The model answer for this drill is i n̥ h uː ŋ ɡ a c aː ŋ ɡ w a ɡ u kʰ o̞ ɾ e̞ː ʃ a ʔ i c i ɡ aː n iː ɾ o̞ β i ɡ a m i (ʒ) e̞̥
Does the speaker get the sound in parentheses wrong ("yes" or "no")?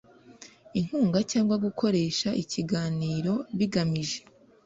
no